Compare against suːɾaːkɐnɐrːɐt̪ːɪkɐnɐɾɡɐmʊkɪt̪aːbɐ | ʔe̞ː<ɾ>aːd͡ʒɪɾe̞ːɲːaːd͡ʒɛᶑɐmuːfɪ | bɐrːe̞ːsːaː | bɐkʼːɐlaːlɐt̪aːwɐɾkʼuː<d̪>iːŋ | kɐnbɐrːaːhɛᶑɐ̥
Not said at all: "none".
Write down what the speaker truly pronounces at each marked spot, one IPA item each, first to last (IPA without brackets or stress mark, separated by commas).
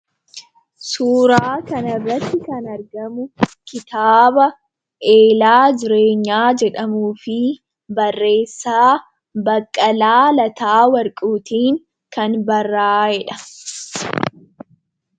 l, t̪